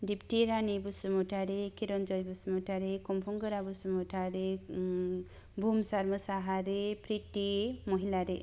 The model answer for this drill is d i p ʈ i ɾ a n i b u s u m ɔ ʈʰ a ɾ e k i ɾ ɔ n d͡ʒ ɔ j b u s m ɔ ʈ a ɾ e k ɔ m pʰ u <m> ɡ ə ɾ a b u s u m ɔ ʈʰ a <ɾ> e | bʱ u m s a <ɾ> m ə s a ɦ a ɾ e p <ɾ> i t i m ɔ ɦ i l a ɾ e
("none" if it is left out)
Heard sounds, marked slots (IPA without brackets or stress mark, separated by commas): ŋ, ɾ, ɾ, ɾ